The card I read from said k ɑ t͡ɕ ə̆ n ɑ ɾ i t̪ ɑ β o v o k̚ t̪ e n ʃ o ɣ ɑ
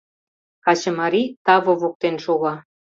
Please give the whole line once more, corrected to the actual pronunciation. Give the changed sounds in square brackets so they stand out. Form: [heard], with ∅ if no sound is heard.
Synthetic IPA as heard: k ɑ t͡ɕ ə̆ [m] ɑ ɾ i t̪ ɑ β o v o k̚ t̪ e n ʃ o ɣ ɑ